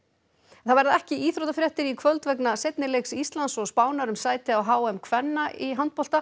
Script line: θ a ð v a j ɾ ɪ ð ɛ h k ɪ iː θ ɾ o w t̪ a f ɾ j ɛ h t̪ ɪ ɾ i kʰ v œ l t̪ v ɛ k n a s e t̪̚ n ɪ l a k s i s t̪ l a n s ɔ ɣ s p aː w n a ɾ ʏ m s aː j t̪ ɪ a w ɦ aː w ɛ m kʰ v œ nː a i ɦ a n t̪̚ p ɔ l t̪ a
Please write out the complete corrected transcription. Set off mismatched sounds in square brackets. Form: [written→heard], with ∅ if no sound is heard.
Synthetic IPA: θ a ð v a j ɾ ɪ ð ɛ h [k→c] ɪ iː θ ɾ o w t̪ a f ɾ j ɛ h t̪ ɪ ɾ i kʰ v œ l t̪ v ɛ k n a s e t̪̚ n ɪ l [a→e] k s i s t̪ l a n s ɔ ɣ s p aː w n a ɾ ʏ m s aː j t̪ ɪ a w ɦ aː w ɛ m kʰ v [œ→ɛ] nː a i ɦ a n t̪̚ p ɔ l t̪ a